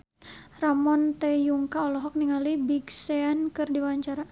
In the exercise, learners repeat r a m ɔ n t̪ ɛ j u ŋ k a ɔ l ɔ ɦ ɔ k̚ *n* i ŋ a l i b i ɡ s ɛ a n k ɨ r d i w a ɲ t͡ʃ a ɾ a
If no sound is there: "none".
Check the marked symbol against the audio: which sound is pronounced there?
n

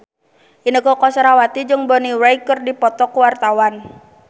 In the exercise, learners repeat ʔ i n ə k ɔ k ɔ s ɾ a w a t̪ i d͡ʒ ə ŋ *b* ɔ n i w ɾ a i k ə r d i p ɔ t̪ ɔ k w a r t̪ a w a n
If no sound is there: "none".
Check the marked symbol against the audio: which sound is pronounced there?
b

